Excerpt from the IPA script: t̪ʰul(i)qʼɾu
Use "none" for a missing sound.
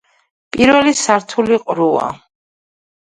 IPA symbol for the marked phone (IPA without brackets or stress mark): i